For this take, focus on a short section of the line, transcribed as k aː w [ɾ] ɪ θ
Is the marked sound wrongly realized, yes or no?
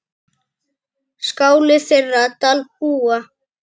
yes